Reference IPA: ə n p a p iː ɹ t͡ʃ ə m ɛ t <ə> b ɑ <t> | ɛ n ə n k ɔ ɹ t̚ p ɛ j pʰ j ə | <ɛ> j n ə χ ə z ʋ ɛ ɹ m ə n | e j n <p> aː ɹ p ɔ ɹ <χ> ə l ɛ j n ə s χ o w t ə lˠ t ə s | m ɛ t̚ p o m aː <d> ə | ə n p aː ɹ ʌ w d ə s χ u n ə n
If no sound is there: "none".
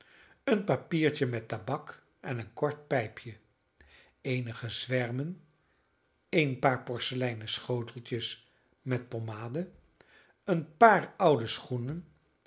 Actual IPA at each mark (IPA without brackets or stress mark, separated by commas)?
a, k, e, p, s, d